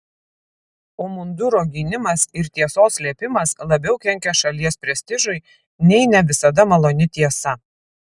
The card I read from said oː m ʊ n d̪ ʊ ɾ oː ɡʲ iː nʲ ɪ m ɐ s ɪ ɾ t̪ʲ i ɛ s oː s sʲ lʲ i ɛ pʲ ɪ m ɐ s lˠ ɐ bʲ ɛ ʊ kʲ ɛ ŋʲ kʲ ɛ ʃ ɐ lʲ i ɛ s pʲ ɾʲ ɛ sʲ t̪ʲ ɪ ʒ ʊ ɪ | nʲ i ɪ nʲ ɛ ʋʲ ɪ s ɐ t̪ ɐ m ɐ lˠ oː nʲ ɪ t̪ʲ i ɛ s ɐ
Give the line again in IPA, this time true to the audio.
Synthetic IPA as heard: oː m ʊ n d̪ ʊ ɾ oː ɡʲ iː nʲ ɪ m ɐ s ɪ ɾ t̪ʲ i ɛ s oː s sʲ lʲ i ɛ pʲ ɪ m ɐ s lˠ ɐ bʲ ɛ ʊ kʲ ɛ ŋʲ kʲ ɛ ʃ ɐ lʲ i ɛ s pʲ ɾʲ ɛ sʲ t̪ʲ ɪ ʒ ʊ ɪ | nʲ ɛ ɪ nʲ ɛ ʋʲ ɪ s ɐ d̪ ɐ m ɐ lˠ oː nʲ ɪ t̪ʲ i ɛ s ɐ